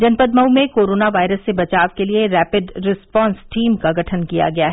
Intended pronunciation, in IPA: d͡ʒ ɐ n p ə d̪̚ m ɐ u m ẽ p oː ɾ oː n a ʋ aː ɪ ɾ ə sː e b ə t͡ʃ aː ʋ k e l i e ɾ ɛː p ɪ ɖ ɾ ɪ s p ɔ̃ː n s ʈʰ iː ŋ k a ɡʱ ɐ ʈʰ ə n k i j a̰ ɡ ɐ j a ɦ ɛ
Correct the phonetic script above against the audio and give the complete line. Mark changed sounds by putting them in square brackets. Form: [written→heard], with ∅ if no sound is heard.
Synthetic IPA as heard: d͡ʒ ɐ n p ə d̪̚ m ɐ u m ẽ [p→k] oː ɾ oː n a ʋ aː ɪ ɾ ə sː e b [ə→ɐ] t͡ʃ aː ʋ k e l i e ɾ ɛː p ɪ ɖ ɾ ɪ s p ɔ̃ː n s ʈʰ iː [ŋ→m] k a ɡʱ ɐ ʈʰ ə n k i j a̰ ɡ ɐ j a ɦ ɛ